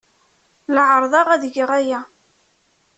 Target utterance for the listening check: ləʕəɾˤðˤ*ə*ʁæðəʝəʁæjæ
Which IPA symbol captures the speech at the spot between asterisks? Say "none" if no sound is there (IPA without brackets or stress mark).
ɑ